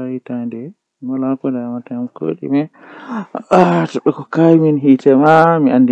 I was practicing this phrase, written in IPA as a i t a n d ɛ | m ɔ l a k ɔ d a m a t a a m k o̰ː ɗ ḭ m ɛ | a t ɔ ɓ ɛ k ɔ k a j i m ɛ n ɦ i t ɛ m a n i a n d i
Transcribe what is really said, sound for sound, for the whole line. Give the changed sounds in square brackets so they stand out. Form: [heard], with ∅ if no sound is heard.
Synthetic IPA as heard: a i t a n d ɛ | m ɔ l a k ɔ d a m a t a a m k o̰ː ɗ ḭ m ɛ | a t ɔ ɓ ɛ k ɔ k a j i m [i] n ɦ i t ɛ m a [m] i a n d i

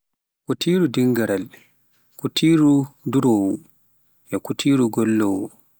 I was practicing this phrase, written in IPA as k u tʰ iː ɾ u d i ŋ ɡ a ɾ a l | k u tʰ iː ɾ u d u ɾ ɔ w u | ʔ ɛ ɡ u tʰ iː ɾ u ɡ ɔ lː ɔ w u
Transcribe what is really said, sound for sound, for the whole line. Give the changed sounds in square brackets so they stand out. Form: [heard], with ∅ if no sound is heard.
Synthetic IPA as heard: k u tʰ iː ɾ u d i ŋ ɡ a ɾ a l | k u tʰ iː ɾ u d u ɾ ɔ w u | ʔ ɛ [k] u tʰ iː ɾ u ɡ ɔ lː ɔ w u

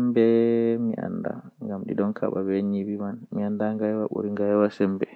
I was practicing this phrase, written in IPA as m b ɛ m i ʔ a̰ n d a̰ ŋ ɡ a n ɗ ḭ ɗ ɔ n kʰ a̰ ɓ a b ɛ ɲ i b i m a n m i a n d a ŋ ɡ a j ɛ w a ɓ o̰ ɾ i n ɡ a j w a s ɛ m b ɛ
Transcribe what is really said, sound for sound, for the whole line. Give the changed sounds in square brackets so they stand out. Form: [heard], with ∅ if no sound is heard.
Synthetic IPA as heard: m b ɛ m i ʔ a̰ n d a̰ ŋ ɡ a [m] ɗ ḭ ɗ ɔ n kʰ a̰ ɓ a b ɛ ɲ i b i m a n m i a n d a ŋ ɡ a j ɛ w a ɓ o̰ ɾ i [ŋ] ɡ a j w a s ɛ m b ɛ

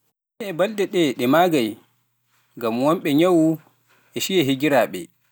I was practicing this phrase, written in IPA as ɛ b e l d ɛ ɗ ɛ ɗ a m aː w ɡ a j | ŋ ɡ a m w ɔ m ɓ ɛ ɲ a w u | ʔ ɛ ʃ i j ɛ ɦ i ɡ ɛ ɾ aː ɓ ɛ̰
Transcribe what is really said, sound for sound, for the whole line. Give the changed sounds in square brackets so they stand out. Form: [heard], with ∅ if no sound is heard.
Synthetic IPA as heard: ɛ b [a] l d ɛ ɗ ɛ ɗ [ɛ] m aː [∅] ɡ a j | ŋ ɡ a m w ɔ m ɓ ɛ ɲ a w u | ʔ ɛ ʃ i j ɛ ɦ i ɡ [i] ɾ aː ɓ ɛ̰

